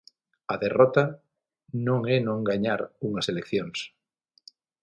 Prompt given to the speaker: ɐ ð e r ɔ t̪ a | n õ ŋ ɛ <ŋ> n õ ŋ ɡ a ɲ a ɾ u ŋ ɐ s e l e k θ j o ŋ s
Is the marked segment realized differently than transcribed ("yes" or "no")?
yes